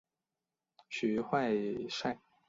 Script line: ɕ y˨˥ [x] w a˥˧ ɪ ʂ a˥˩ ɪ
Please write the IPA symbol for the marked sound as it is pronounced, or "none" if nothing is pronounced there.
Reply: x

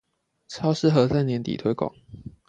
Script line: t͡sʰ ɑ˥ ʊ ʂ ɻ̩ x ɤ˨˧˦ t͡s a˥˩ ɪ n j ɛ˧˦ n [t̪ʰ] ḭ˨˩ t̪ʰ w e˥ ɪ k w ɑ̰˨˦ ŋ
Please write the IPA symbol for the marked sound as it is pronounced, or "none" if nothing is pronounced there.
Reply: t̪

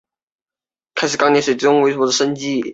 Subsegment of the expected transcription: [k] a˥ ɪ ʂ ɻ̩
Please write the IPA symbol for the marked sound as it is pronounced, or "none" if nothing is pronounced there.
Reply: kʰ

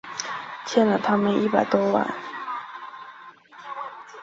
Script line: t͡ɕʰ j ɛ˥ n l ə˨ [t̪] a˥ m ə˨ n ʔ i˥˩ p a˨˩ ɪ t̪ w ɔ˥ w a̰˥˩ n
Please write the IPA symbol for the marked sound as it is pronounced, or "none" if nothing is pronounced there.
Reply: t̪ʰ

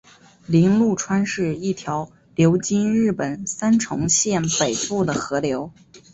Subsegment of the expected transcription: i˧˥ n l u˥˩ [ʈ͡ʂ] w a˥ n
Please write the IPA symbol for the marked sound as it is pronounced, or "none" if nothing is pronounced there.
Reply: ʈ͡ʂʰ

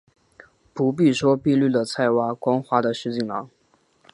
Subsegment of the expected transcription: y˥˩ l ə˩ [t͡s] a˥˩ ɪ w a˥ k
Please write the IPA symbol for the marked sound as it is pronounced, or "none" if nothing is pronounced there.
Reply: t͡sʰ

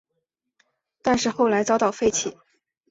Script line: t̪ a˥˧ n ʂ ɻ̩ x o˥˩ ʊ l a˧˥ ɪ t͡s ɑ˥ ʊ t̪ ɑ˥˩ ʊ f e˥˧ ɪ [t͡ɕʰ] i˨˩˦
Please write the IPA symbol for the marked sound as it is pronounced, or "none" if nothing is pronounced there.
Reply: t͡ɕʰ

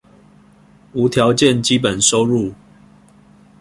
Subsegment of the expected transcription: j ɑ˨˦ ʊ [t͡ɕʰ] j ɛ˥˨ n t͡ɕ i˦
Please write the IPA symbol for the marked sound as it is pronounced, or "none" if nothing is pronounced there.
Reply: t͡ɕ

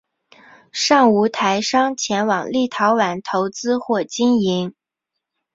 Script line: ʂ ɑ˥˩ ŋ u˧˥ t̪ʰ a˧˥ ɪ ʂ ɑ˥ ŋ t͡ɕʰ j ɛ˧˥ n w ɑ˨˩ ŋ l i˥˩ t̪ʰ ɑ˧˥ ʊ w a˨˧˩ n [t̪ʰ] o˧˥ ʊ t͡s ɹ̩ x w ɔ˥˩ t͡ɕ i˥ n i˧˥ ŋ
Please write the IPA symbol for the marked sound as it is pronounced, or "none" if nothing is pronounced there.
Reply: t̪ʰ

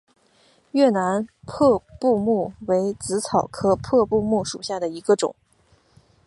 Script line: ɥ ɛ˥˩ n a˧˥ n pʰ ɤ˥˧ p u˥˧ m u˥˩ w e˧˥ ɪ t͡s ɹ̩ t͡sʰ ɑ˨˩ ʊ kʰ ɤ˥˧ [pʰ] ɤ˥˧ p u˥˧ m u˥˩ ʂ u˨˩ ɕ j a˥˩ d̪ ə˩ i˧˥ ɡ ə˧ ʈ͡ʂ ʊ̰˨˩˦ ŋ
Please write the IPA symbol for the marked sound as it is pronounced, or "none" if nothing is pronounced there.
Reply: pʰ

